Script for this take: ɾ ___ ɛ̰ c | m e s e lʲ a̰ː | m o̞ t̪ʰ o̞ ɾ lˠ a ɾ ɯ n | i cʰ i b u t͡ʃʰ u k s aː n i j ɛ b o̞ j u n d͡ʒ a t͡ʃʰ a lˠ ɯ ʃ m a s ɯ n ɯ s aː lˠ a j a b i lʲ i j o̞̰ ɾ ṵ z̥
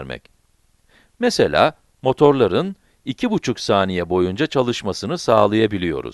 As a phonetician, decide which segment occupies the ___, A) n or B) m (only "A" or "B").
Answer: B